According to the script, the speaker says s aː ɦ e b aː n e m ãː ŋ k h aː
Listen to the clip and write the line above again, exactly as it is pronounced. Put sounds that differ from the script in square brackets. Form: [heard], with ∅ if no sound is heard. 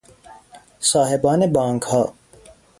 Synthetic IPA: s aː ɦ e b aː n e [b] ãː ŋ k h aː